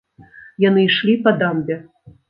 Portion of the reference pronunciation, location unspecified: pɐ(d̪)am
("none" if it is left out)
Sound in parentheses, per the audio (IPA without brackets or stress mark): d̪